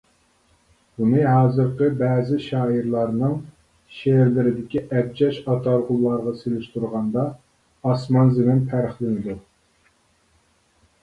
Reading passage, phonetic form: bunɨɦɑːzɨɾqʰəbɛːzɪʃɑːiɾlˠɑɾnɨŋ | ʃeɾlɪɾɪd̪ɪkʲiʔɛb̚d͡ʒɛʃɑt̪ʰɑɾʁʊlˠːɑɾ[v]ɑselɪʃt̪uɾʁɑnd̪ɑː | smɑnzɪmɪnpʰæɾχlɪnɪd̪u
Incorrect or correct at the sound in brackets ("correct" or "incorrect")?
incorrect